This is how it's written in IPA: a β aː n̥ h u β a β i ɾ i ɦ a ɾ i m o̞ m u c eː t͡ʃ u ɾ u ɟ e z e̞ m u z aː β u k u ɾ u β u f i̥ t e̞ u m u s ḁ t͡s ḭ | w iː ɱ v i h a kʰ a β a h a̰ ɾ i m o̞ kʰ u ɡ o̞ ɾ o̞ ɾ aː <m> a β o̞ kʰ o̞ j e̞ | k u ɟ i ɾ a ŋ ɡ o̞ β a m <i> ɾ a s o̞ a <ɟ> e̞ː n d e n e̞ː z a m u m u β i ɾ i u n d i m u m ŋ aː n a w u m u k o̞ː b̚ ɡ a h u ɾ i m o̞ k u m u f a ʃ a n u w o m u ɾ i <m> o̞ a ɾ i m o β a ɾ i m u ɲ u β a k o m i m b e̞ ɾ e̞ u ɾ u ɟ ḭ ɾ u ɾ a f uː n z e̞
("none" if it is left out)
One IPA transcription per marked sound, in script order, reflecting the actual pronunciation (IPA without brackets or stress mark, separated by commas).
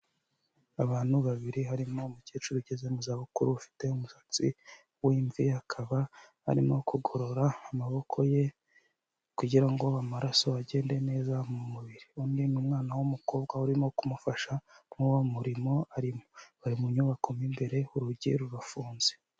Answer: m, a, ɟ, m